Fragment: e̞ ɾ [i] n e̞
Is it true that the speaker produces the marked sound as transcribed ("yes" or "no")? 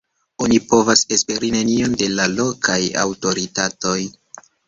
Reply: yes